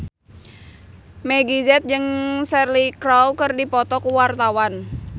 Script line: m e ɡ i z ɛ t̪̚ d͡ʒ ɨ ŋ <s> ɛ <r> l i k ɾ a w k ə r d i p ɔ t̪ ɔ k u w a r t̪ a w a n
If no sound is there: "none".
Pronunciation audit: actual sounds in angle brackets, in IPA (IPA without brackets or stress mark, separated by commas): s, r